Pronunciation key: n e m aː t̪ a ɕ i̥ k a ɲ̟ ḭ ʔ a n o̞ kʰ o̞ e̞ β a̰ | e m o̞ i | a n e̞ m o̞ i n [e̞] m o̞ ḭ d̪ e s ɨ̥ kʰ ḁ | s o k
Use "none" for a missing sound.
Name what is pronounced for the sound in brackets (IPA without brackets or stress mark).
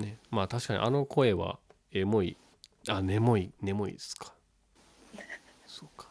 e̞